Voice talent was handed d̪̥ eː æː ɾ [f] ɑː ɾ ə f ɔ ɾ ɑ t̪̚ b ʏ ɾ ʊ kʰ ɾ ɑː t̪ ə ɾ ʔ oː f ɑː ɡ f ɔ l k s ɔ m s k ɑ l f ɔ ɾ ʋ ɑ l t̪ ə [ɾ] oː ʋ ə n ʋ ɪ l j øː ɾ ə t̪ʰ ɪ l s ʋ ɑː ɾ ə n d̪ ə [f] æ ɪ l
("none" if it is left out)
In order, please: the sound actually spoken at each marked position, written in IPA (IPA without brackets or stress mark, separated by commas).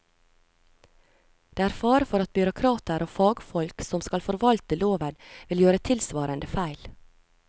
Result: f, l, f